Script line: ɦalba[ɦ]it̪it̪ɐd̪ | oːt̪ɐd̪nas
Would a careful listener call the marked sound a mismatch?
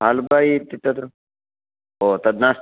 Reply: yes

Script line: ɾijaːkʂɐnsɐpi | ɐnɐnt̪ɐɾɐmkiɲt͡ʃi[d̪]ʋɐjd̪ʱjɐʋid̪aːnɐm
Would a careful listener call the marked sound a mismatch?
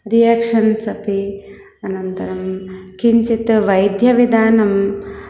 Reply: yes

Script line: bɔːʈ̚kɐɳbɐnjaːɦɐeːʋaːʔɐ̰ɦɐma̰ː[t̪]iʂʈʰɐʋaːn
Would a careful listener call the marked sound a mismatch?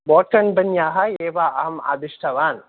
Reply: yes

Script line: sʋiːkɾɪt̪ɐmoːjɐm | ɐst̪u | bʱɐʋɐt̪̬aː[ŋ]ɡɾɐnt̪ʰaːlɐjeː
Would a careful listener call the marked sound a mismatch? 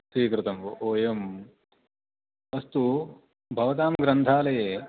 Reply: yes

